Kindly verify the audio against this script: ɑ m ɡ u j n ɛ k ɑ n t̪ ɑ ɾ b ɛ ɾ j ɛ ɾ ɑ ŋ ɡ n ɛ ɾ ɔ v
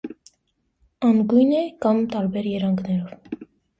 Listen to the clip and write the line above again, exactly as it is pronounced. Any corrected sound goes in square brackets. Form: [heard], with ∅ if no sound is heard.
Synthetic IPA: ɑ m ɡ u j n ɛ k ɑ [m] t̪ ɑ ɾ b ɛ ɾ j ɛ ɾ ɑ ŋ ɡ n ɛ ɾ ɔ v